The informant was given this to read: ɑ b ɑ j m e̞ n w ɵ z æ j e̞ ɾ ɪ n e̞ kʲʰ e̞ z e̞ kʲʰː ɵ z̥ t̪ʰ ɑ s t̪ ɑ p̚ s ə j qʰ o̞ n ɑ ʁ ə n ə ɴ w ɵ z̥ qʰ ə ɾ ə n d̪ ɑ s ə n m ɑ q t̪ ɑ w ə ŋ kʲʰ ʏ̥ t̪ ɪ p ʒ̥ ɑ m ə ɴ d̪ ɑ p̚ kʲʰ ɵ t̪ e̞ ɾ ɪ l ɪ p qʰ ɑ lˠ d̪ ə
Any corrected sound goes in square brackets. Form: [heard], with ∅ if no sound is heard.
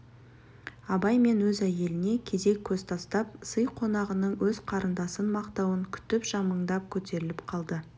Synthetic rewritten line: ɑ b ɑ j m e̞ n w ɵ z æ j e̞ [l] ɪ n e̞ kʲʰ e̞ z e̞ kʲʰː ɵ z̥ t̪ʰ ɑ s t̪ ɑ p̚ s ə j qʰ o̞ n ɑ ʁ ə n ə ɴ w ɵ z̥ qʰ [ɑ] ɾ ə n d̪ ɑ s ə n m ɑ q t̪ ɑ w ə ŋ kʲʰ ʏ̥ t̪ ɪ p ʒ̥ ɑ m ə ɴ d̪ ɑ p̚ kʲʰ ɵ t̪ e̞ ɾ ɪ l ɪ p qʰ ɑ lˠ d̪ ə